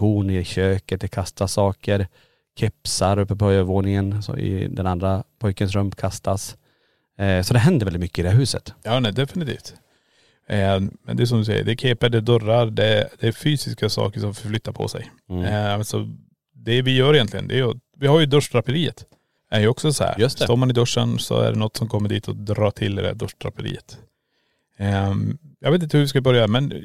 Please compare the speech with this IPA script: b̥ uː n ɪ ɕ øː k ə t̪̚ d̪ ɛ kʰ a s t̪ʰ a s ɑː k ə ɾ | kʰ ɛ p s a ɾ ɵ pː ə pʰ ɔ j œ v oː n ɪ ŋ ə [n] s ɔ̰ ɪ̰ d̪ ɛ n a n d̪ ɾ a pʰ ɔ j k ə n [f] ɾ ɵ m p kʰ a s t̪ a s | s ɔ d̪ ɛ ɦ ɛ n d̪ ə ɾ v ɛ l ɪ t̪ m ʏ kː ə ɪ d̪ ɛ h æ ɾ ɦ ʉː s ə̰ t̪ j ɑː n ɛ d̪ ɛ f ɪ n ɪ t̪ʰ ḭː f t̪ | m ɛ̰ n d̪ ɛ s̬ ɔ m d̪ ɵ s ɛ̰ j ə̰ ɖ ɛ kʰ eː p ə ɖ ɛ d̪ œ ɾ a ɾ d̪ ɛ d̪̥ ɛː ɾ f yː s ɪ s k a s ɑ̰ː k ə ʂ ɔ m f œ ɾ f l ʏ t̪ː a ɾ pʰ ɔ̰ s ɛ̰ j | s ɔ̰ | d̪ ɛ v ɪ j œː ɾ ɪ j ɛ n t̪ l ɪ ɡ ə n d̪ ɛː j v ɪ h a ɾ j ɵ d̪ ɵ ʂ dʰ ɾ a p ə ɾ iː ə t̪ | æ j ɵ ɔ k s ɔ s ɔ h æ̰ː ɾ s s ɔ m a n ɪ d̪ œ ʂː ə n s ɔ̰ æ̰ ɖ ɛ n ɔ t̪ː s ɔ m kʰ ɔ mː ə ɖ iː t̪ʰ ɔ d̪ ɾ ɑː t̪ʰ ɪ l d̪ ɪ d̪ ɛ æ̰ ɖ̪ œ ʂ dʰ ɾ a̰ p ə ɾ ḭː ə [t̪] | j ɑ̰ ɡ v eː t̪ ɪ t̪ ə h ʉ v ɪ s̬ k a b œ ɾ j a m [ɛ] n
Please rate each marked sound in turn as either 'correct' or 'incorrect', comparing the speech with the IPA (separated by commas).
correct, incorrect, correct, correct